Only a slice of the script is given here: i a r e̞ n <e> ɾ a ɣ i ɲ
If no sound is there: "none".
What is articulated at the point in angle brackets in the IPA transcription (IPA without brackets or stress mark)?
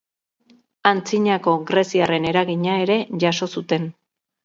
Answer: e